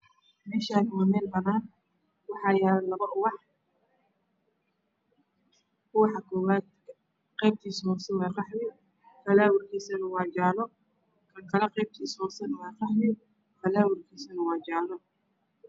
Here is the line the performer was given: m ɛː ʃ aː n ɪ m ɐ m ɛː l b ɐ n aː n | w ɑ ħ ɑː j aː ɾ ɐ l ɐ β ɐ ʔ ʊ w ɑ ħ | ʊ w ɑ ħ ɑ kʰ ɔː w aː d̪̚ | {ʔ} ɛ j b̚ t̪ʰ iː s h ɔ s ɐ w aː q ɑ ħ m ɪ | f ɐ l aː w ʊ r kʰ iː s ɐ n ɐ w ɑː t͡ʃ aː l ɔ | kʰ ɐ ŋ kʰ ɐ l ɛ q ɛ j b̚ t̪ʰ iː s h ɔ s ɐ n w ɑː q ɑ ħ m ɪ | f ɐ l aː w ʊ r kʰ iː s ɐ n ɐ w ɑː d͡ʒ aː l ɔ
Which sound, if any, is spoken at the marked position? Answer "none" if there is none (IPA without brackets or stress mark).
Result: q